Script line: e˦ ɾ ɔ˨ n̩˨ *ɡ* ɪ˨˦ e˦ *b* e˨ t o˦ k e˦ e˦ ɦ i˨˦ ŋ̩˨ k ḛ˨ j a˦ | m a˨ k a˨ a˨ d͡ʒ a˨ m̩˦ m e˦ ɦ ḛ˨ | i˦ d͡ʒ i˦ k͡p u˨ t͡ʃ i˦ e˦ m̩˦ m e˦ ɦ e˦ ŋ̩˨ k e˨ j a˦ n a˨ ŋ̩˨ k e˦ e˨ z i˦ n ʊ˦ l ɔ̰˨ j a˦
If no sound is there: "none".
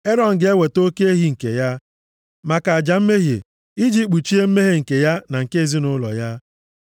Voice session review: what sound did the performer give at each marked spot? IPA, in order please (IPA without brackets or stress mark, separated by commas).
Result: ɡ, w